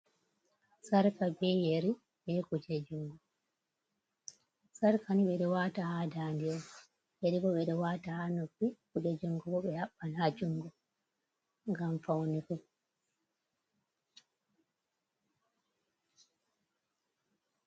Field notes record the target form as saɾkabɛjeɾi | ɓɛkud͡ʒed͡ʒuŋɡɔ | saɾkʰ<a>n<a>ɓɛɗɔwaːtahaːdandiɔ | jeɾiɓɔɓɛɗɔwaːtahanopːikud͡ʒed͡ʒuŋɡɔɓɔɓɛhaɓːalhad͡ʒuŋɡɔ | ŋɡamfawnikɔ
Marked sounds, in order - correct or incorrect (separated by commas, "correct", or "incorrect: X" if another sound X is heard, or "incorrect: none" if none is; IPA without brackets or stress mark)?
correct, incorrect: i